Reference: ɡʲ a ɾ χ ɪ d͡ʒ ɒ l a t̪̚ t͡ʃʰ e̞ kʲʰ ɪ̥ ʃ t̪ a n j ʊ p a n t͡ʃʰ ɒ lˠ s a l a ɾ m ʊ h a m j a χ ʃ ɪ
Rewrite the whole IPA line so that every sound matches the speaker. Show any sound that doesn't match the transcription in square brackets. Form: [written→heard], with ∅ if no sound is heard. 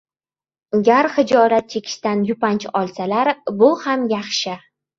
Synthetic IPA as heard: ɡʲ a ɾ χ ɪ d͡ʒ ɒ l a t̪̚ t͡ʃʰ e̞ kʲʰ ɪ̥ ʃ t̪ a n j ʊ p a n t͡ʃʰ ɒ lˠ s a l a ɾ [m→b] ʊ h a m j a χ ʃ ɪ